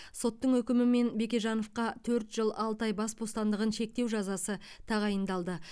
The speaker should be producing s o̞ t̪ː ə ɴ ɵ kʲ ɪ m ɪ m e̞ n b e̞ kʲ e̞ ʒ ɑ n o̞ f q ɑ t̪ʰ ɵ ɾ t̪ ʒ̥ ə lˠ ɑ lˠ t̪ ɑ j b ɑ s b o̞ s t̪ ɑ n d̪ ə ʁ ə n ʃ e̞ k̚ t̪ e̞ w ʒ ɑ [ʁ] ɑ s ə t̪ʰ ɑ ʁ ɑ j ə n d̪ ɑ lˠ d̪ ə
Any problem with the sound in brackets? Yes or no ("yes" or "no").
yes